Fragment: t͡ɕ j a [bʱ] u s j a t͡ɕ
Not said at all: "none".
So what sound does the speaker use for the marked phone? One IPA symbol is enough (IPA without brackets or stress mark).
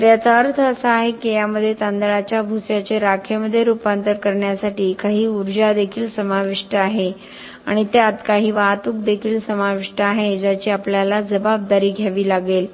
bʱ